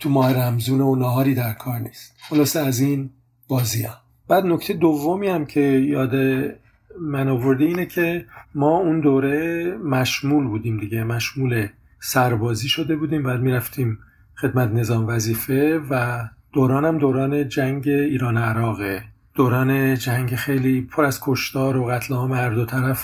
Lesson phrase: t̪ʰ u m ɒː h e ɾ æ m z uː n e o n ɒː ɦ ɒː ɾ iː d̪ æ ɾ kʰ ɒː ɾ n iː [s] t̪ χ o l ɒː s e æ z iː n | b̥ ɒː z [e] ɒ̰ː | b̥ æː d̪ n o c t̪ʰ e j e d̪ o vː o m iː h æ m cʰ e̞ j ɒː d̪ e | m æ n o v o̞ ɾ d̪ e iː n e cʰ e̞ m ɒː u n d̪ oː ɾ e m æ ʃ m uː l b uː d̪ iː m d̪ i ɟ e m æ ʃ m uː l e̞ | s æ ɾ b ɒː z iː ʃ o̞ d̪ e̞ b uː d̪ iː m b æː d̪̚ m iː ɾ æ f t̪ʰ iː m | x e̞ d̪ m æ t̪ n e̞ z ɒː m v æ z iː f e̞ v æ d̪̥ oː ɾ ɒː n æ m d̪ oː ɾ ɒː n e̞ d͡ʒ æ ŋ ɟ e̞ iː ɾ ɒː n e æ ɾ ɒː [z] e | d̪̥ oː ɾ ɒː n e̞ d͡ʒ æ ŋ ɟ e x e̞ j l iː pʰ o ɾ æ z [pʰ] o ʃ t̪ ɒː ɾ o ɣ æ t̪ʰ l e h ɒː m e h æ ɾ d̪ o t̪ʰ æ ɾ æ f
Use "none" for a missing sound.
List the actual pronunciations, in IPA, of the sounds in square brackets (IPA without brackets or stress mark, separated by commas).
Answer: s, i, ɣ, kʰ